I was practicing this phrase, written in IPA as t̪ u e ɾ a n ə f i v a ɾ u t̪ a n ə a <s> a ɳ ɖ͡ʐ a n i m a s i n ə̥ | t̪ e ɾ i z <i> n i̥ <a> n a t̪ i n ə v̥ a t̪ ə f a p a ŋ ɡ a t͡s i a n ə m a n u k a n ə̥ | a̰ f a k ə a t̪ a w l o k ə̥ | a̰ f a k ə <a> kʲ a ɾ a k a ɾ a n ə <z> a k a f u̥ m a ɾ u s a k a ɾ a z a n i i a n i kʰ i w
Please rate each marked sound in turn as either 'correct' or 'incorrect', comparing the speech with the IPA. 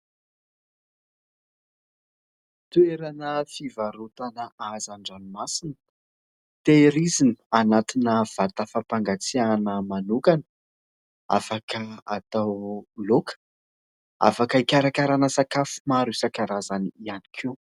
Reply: incorrect: z, correct, correct, incorrect: i, incorrect: s

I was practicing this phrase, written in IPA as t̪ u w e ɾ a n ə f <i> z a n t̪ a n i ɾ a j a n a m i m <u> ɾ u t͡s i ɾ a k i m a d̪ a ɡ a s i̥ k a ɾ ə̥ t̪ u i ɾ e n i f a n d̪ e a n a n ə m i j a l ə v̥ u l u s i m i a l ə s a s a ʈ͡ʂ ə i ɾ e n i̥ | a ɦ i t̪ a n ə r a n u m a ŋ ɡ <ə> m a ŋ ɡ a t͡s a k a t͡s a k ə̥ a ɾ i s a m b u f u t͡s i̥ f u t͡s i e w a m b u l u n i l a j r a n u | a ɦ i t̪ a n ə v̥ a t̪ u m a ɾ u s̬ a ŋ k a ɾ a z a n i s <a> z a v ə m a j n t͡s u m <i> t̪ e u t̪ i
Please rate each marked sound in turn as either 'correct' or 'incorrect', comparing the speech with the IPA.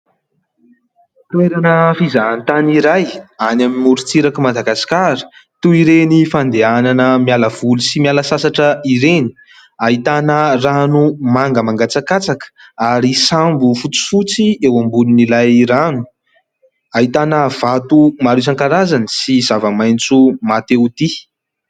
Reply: correct, correct, correct, incorrect: i, incorrect: a

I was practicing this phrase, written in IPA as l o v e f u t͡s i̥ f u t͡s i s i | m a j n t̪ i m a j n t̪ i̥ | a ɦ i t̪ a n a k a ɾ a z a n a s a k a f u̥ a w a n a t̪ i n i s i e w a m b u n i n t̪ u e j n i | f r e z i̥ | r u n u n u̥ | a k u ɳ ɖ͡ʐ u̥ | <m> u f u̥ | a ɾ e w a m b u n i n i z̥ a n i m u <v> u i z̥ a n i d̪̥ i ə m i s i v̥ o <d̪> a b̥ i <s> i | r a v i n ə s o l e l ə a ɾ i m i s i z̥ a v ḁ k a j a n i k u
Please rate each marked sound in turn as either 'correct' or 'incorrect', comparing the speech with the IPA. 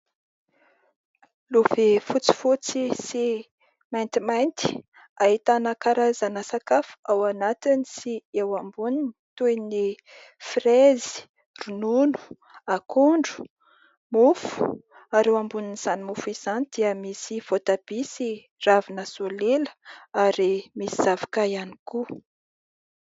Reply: correct, incorrect: f, incorrect: t̪, correct

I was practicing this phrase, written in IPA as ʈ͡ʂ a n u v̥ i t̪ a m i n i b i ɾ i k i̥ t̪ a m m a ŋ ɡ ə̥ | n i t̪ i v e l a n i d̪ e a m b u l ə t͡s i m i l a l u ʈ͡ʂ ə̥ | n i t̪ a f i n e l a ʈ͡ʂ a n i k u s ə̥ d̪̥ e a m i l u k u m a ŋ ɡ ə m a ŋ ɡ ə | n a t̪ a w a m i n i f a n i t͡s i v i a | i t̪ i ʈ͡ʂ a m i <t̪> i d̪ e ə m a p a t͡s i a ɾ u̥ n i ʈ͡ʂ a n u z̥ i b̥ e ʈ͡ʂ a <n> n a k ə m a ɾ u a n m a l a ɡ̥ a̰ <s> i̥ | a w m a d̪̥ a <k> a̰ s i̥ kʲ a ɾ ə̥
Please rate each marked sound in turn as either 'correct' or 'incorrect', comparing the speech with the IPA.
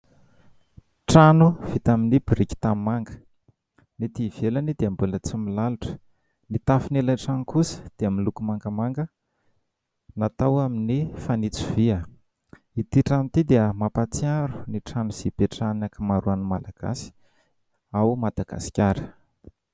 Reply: correct, correct, correct, incorrect: ɡ

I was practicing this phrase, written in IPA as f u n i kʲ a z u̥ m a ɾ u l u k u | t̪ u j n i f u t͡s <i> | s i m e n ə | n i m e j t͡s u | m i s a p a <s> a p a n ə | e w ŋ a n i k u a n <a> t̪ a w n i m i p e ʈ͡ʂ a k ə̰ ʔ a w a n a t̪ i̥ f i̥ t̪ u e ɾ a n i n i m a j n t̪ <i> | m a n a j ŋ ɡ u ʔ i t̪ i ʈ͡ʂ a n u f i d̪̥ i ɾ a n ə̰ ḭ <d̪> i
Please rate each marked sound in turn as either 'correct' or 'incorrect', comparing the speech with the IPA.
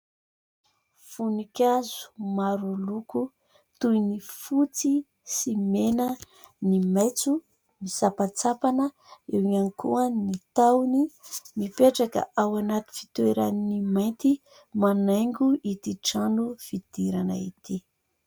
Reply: correct, incorrect: t͡s, incorrect: i, correct, incorrect: t̪

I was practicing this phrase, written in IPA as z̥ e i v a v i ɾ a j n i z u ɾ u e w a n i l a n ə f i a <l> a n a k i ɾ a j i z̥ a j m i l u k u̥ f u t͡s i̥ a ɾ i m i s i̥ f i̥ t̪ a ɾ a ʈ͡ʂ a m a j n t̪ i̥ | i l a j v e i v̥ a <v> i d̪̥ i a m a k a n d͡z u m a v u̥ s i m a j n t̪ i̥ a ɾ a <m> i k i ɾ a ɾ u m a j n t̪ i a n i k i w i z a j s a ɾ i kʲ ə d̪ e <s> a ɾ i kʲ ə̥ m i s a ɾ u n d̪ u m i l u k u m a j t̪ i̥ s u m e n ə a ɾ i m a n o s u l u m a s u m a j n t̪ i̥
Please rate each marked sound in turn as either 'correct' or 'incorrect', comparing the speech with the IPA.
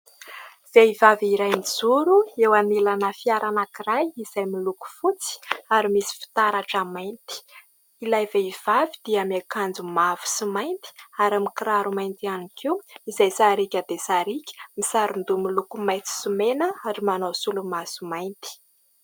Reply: incorrect: ɾ, correct, correct, correct

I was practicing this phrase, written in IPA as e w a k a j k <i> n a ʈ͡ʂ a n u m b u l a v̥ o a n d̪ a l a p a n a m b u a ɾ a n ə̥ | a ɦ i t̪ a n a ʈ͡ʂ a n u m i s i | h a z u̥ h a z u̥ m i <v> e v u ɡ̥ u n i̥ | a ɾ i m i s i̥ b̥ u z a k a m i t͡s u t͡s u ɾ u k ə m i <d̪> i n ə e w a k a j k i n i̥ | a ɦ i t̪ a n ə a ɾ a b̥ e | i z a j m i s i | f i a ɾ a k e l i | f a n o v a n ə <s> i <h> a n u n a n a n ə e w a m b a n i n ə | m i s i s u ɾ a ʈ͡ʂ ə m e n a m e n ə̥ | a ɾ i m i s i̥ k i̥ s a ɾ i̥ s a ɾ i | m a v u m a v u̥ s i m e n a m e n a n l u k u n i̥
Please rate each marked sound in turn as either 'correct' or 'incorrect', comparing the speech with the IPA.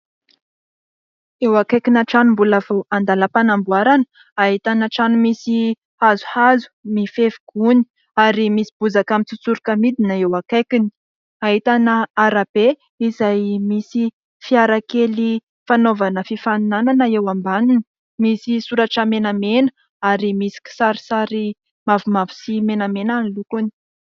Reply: correct, incorrect: f, correct, incorrect: f, incorrect: f

